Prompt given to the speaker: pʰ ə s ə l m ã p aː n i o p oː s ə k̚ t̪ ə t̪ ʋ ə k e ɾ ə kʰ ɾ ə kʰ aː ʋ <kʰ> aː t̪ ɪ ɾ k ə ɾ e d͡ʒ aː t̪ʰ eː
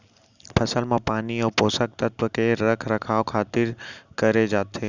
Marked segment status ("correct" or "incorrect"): correct